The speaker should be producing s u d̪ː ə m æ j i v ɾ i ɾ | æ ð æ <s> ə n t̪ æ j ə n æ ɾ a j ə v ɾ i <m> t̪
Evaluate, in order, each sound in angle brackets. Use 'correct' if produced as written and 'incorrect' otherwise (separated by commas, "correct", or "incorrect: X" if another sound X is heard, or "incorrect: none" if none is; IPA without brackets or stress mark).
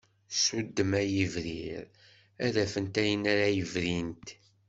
incorrect: f, incorrect: n